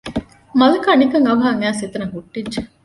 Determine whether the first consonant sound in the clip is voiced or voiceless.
voiced